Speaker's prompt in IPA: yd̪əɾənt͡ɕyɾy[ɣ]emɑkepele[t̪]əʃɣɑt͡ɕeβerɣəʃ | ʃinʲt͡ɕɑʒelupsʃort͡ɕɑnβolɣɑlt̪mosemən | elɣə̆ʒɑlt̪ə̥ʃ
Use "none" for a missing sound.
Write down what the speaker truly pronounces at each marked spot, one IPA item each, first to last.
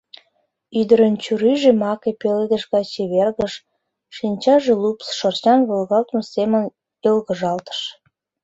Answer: ʒ, d̪

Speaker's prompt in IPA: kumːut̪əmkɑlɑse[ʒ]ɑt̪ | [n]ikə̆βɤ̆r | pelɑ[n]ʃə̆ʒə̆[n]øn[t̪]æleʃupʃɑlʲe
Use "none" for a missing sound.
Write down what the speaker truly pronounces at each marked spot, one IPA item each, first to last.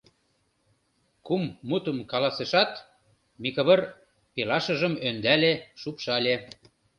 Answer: ʃ, m, none, m, d̪

